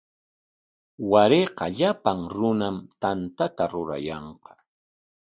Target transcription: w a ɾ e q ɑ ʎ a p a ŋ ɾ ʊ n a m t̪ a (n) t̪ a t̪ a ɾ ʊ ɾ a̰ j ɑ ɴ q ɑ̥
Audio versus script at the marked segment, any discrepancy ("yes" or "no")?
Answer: no